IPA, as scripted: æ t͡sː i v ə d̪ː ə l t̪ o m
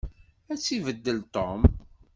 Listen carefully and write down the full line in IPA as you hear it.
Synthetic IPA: æ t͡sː i v ə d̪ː ə l t̪ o m